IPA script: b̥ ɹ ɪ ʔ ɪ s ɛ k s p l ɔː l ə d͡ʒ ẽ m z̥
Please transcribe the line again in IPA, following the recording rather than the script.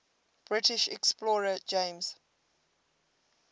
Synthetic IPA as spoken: b̥ ɹ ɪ t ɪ ʃ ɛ k s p l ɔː ɹ ə d͡ʒ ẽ m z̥